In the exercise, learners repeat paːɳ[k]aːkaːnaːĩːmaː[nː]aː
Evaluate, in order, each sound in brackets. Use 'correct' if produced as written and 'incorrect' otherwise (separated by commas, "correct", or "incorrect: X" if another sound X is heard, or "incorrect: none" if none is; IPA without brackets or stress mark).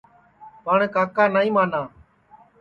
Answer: correct, incorrect: n